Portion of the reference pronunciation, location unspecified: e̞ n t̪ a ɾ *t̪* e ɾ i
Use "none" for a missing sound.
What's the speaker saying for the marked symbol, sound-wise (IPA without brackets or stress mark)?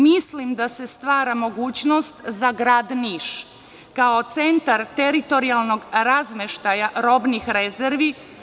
t̪